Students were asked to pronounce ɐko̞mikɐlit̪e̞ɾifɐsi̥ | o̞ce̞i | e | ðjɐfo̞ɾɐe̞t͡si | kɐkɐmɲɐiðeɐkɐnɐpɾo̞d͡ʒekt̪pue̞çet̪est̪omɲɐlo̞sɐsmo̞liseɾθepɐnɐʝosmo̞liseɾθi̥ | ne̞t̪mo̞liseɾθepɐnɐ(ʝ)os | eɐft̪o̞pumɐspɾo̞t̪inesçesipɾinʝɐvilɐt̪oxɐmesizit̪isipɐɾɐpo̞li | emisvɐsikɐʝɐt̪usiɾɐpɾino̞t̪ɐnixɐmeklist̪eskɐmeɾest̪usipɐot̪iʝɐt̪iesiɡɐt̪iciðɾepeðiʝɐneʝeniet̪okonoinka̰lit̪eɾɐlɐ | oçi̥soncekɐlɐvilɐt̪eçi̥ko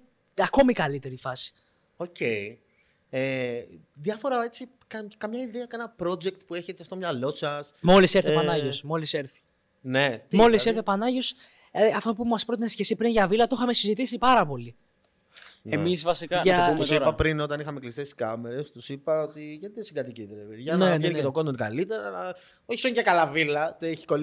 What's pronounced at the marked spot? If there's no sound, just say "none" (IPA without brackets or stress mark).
ʝ